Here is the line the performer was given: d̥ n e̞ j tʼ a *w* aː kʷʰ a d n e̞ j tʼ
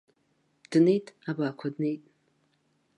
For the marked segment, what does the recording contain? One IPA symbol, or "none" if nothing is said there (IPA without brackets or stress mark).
b